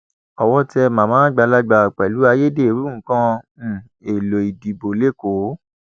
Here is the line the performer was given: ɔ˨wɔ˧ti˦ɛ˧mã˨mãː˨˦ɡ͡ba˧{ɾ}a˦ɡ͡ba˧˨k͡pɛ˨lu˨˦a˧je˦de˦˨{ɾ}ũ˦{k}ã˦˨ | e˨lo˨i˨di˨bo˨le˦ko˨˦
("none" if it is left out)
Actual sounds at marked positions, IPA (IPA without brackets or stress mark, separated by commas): l, ɾ, k